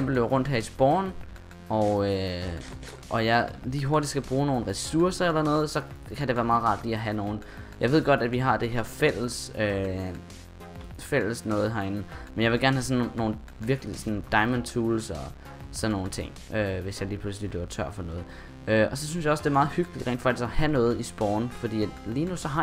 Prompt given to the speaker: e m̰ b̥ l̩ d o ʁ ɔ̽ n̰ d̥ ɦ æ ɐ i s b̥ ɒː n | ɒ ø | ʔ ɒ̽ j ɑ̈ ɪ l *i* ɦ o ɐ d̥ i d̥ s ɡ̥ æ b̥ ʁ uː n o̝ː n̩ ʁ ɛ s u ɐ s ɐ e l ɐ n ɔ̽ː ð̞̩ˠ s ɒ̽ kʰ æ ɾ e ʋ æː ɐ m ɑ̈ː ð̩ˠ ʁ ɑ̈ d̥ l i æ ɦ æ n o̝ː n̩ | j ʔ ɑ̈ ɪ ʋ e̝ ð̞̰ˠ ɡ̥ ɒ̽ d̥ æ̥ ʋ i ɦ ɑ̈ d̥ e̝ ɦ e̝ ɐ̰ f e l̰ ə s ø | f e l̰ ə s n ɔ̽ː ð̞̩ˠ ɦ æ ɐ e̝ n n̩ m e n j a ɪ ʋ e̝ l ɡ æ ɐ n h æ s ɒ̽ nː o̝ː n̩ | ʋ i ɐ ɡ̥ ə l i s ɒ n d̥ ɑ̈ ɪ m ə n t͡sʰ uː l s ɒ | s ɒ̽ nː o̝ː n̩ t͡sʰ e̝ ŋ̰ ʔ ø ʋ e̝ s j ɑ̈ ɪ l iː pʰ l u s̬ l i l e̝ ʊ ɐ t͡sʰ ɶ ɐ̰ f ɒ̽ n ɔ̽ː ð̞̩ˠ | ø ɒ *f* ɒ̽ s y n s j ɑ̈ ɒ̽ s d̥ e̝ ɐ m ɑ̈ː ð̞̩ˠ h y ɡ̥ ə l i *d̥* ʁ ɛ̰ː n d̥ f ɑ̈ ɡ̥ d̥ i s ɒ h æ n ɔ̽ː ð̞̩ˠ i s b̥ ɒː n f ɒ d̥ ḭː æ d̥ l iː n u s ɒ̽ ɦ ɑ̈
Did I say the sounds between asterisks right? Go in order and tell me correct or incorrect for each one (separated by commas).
incorrect, incorrect, correct